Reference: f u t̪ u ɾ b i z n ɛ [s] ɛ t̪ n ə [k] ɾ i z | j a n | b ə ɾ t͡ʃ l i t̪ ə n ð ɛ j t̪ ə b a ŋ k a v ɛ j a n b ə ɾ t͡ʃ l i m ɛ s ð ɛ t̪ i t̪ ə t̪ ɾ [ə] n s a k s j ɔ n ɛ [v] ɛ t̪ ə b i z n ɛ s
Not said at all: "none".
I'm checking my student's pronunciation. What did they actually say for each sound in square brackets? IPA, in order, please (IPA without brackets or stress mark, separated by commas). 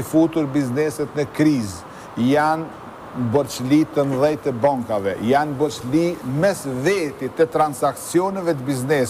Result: s, k, a, v